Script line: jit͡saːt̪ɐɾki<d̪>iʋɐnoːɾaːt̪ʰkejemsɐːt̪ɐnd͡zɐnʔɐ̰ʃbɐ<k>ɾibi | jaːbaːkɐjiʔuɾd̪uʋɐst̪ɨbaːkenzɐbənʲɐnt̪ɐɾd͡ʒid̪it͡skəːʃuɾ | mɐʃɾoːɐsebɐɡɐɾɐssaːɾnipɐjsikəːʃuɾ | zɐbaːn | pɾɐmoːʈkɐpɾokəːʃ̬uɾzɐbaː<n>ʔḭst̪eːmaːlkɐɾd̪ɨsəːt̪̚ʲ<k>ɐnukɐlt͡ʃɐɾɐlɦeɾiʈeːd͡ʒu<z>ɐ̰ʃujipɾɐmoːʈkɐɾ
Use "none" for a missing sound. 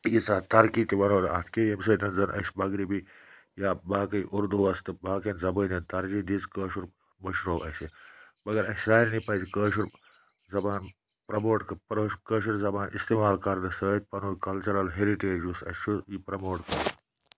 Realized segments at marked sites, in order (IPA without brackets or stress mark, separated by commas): t̪, ɡ, n, p, s